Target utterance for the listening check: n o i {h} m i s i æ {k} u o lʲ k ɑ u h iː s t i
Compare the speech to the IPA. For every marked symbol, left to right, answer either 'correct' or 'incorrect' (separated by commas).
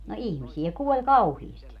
correct, correct